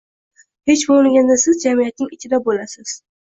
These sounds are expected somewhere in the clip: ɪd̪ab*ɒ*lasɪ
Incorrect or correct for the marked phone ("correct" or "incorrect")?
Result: incorrect